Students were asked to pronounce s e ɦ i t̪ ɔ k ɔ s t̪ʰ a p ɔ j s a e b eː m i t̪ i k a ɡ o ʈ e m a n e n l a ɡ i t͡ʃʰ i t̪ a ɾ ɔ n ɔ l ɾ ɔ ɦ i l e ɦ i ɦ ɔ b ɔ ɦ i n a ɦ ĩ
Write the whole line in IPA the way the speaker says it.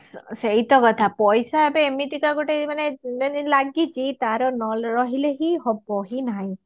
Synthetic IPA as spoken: s e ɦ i t̪ ɔ k ɔ t̪ʰ a p ɔ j s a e b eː m i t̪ i k a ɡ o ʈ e m a n e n l a ɡ i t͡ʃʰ i t̪ a ɾ ɔ n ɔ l ɾ ɔ ɦ i l e ɦ i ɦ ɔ b ɔ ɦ i n a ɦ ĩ